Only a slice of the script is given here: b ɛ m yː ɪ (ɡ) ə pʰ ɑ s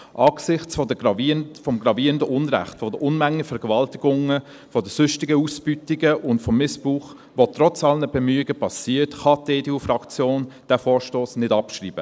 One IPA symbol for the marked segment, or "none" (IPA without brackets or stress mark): ɡ